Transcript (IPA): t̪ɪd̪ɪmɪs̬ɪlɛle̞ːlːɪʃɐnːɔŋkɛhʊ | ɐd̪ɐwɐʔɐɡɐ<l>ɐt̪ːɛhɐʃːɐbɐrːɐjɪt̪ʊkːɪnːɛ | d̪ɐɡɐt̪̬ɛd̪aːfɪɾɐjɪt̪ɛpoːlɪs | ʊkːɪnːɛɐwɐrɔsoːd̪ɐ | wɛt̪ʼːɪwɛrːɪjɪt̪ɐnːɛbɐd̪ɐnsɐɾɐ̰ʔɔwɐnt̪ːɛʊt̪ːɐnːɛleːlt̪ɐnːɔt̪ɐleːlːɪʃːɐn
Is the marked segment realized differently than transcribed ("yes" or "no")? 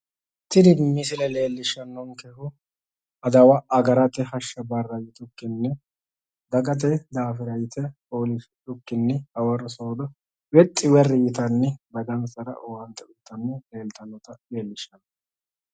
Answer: yes